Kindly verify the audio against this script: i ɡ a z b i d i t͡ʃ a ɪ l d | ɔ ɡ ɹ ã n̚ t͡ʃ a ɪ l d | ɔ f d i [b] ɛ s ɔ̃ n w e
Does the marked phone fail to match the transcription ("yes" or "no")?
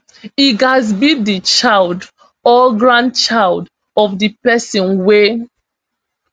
yes